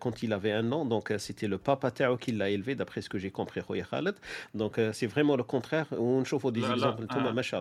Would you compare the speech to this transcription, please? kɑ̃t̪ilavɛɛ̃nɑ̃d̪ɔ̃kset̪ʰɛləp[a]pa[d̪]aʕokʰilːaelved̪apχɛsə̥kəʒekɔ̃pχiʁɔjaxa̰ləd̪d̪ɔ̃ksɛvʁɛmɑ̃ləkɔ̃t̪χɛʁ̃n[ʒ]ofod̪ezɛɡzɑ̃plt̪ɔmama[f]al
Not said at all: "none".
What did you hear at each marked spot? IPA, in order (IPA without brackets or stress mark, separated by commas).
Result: a, t̪, ʃ, ʃ